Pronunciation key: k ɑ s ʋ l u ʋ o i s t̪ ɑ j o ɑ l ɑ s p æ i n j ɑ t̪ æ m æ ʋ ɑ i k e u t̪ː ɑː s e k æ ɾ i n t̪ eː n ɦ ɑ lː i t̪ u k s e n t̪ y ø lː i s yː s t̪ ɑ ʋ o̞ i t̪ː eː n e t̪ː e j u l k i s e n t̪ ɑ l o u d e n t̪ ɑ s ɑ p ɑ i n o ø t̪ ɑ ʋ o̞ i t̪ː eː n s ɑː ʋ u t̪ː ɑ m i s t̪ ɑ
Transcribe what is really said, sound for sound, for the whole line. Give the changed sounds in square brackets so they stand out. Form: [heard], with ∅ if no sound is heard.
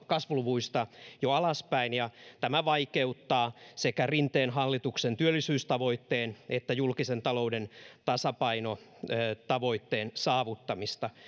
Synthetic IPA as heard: k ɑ s ʋ l u ʋ [u] i s t̪ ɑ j o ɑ l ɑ s p æ i n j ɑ t̪ æ m æ ʋ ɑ i k e u t̪ː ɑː s e k æ [r] i n t̪ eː n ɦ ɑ lː i t̪ u k s e n t̪ y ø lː i s yː s t̪ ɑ ʋ o̞ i t̪ː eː n e t̪ː [æ] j u l k i s e n t̪ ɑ l o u d e n t̪ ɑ s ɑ p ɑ i n o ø t̪ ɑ ʋ o̞ i t̪ː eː n s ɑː ʋ u t̪ː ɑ m i s t̪ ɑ